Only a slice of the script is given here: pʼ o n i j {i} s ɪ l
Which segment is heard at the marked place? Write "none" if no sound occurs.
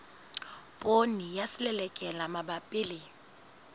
a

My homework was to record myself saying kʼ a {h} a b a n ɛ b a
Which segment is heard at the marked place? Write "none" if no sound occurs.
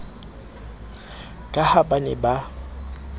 h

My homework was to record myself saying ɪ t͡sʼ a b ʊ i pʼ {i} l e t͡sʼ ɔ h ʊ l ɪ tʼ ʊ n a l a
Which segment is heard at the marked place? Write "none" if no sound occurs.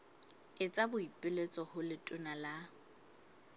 ɪ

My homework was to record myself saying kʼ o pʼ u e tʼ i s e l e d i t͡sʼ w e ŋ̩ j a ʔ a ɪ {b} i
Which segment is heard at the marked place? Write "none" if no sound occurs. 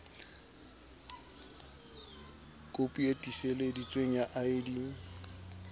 d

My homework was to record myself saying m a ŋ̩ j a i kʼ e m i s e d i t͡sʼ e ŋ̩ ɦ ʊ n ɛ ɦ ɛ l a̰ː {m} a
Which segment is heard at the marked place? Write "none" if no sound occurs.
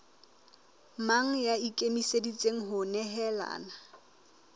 n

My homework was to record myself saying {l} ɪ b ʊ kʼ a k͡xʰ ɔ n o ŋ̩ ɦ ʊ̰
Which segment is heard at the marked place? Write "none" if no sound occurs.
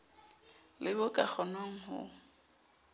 l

